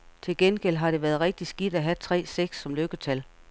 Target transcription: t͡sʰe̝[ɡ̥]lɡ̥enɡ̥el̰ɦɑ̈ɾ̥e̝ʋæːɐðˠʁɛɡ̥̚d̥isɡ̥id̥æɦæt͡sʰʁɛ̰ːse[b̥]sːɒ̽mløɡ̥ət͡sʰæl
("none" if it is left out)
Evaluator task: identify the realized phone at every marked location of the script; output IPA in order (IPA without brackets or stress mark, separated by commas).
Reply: none, ɡ̥